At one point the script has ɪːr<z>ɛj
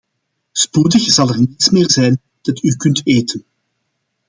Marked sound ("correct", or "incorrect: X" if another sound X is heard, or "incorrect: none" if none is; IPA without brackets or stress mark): correct